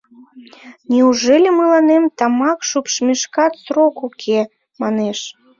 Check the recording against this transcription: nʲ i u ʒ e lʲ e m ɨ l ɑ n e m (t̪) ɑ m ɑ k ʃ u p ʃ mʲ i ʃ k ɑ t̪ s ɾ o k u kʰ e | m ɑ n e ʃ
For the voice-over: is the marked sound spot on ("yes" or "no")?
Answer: yes